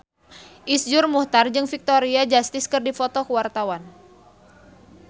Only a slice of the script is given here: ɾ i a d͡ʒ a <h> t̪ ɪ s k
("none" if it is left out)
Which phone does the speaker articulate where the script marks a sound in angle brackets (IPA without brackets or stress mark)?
s